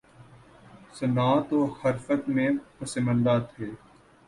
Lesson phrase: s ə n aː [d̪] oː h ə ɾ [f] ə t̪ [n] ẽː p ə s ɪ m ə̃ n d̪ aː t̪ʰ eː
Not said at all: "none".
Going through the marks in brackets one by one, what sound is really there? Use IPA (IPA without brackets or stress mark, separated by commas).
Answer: t̪, f, m